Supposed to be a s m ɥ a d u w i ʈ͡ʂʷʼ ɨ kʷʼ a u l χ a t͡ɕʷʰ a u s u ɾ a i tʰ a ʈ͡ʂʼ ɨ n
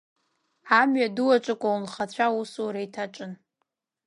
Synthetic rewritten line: a m ɥ a d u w a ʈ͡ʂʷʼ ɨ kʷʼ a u l χ a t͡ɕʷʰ a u s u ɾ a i tʰ a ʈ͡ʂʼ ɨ n